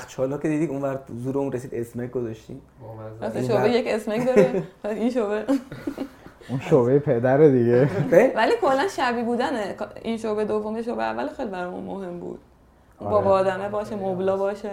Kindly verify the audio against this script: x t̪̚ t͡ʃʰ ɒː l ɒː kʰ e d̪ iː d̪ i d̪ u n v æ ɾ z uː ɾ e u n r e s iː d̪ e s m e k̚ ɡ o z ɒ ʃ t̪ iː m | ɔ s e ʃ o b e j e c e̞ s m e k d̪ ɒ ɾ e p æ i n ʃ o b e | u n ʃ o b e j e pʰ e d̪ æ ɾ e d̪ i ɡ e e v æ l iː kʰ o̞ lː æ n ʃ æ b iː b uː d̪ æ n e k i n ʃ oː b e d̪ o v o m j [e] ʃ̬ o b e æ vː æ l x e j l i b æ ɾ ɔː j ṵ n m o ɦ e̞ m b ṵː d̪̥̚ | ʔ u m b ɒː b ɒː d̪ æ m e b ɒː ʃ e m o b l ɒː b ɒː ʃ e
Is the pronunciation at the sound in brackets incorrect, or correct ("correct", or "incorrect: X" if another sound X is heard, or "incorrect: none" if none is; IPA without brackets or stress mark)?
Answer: correct